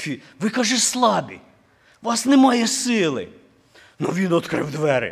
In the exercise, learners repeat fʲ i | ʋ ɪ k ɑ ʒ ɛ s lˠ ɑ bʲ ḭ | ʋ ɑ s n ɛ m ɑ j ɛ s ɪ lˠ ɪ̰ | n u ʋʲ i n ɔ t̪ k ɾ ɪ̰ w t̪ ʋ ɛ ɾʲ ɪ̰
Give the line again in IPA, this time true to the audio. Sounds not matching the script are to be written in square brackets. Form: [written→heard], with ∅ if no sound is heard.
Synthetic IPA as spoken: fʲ i | ʋ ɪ k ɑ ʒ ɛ s lˠ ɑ bʲ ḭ | ʋ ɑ s n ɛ m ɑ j ɛ s ɪ lˠ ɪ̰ | n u ʋʲ i n ɔ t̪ k ɾ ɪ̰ w [t̪→d̪] ʋ ɛ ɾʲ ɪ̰